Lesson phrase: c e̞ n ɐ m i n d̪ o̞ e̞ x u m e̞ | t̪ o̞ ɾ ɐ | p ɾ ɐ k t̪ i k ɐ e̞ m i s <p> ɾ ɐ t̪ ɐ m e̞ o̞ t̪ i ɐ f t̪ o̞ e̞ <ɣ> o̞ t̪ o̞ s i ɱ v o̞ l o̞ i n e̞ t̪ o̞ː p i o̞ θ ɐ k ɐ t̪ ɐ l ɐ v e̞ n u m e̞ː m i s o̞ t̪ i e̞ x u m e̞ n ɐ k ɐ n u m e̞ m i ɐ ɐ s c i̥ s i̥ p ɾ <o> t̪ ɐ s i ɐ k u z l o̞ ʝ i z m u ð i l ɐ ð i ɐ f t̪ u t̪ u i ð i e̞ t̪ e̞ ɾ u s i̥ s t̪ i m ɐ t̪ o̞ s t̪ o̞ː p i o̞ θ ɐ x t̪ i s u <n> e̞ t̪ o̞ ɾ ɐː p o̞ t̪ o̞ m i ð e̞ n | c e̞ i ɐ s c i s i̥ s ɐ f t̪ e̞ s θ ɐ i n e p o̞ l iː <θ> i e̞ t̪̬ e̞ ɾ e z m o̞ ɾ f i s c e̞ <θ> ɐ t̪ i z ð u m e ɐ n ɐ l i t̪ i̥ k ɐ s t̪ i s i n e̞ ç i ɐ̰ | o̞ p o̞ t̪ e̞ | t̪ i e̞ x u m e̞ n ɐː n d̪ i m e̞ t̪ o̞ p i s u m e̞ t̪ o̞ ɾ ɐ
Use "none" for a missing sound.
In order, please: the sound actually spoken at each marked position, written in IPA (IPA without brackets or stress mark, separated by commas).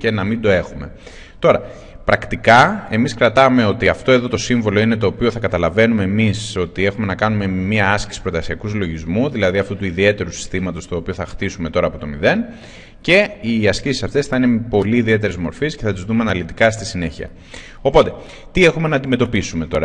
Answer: k, ð, o, m, ð, θ